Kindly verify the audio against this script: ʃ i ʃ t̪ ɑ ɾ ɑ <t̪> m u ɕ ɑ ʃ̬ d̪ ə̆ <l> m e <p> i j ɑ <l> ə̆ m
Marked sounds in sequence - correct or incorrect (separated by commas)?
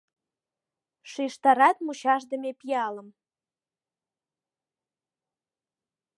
correct, incorrect, correct, correct